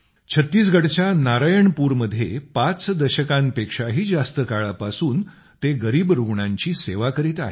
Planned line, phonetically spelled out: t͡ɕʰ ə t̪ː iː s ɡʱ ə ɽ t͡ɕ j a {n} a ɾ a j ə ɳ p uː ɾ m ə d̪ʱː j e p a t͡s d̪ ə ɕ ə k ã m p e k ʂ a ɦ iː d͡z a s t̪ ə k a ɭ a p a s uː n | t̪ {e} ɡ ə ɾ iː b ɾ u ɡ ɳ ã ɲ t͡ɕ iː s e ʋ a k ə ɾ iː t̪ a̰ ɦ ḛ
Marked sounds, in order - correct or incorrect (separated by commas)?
correct, correct